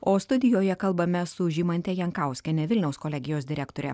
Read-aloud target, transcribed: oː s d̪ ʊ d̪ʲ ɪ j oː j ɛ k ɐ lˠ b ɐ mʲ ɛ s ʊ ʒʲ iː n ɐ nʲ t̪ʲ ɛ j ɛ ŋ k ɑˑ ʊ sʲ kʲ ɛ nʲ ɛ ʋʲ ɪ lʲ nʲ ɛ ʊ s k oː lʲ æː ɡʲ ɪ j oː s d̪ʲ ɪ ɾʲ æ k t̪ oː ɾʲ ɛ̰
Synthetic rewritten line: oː s t̪ ʊ d̪ʲ ɪ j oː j ɛ k ɐ lˠ b ɐ mʲ ɛ s ʊ ʒʲ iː m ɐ nʲ t̪ʲ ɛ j ɛ ŋ k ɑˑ ʊ sʲ kʲ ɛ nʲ ɛ ʋʲ ɪ lʲ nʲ ɛ ʊ s k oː lʲ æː ɡʲ ɪ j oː s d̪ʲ ɪ ɾʲ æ k t̪ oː ɾʲ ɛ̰

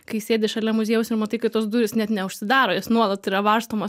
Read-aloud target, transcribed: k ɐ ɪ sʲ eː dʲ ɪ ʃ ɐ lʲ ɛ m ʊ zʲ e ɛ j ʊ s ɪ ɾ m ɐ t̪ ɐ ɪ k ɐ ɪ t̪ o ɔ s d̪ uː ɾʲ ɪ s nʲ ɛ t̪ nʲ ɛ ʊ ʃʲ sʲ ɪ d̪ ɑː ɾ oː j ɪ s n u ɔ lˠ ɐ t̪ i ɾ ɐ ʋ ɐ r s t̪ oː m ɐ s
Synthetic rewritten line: k ɐ ɪ sʲ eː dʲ ɪ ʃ ɐ lʲ ɛ m ʊ zʲ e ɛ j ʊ s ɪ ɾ m ɐ t̪ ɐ ɪ k ɐ ɪ t̪ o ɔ s d̪ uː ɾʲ ɪ s nʲ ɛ t̪ nʲ ɛ ʊ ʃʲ sʲ ɪ d̪ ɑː ɾ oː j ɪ s n u ɔ lˠ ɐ t̪ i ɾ ɐ ʋ ɐ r s t̪ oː m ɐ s

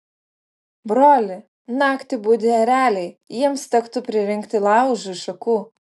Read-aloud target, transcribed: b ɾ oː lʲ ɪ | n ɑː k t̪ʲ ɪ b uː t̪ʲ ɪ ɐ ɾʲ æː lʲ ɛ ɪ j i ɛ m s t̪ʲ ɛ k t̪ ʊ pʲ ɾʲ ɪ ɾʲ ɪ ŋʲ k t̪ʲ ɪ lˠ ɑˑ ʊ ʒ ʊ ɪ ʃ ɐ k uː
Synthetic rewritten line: b ɾ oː lʲ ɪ | n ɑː k t̪ʲ ɪ b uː d̪ʲ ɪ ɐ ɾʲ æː lʲ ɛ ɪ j i ɛ m s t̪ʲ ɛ k t̪ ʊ pʲ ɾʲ ɪ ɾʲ ɪ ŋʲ k t̪ʲ ɪ lˠ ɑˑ ʊ ʒ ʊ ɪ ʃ ɐ k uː

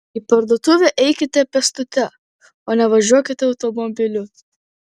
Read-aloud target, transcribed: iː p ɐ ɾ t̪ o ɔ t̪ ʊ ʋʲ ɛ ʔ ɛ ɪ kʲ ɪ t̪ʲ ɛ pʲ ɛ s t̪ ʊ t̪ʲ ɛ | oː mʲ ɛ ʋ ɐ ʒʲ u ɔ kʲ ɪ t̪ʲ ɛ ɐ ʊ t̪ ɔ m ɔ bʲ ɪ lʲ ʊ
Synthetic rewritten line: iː p ɐ ɾ d̪ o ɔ t̪ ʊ ʋʲ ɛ ʔ ɛ ɪ kʲ ɪ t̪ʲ ɛ pʲ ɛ s t̪ ʊ t̪ʲ ɛ | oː nʲ ɛ ʋ ɐ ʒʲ u ɔ kʲ ɪ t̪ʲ ɛ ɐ ʊ t̪ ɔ m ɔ bʲ ɪ lʲ ʊ

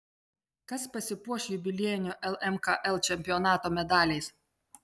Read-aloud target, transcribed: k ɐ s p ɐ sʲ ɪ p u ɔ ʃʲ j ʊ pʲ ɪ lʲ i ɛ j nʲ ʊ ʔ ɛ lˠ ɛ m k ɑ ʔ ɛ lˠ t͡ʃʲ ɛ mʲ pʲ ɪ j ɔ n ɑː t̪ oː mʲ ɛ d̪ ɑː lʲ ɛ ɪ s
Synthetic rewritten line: k ɐ s p ɐ sʲ ɪ p u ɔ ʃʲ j ʊ bʲ ɪ lʲ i ɛ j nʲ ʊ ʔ ɛ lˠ ɛ m k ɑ ʔ ɛ lˠ t͡ʃʲ ɛ mʲ pʲ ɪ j ɔ n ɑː t̪ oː mʲ ɛ d̪ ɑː lʲ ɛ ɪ s

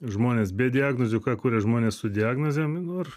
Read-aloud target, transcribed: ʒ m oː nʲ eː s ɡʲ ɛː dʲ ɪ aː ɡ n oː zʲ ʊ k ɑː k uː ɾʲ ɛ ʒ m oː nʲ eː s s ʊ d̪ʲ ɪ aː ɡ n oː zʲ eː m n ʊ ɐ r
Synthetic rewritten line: ʒ m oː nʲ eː s bʲ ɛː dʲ ɪ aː ɡ n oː zʲ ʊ k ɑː k uː ɾʲ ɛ ʒ m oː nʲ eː s s ʊ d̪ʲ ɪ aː ɡ n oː zʲ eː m n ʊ ɐ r

